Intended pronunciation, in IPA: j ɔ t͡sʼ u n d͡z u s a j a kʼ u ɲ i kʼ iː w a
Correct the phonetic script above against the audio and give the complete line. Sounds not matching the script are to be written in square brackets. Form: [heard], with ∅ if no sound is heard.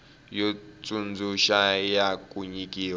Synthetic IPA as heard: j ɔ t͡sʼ u n d͡z u [ʃ] a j a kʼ u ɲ i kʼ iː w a